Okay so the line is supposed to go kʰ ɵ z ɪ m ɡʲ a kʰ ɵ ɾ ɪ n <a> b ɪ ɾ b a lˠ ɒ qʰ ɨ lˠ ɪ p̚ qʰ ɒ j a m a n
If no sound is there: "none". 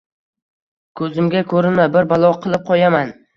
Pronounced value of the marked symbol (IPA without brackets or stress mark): a